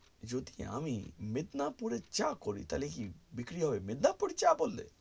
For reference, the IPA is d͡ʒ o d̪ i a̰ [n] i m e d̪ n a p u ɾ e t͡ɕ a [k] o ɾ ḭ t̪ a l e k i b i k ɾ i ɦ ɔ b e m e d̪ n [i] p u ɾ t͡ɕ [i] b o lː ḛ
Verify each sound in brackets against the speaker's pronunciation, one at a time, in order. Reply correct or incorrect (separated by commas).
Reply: incorrect, correct, incorrect, incorrect